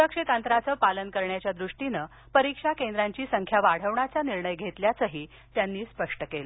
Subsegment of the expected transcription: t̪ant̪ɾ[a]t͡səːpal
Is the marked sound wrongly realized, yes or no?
no